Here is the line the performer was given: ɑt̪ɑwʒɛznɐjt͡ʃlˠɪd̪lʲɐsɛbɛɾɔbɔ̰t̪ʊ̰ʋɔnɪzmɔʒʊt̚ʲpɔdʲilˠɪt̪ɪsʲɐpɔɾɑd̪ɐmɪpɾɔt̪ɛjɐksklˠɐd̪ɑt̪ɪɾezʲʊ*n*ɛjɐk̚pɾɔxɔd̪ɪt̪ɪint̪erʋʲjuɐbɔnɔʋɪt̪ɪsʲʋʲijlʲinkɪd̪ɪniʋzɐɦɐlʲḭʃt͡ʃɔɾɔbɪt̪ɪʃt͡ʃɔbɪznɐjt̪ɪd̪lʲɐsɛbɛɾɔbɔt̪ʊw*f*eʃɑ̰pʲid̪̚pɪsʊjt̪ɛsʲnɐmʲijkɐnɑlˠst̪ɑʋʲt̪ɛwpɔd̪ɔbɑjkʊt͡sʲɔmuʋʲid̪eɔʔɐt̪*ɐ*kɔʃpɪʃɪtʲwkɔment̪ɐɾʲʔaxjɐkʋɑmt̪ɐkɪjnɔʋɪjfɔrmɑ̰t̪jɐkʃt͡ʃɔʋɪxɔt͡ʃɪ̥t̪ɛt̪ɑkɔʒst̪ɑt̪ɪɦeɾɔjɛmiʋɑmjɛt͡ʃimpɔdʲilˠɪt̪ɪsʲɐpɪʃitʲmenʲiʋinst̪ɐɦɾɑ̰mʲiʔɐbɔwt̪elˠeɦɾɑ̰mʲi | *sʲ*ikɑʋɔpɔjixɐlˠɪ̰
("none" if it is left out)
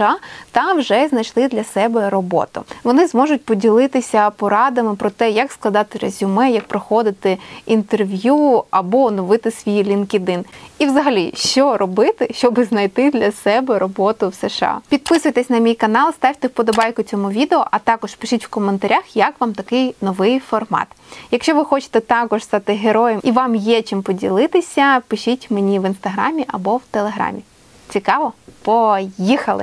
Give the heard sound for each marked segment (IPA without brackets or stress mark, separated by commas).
m, s, ɑ, t͡sʲ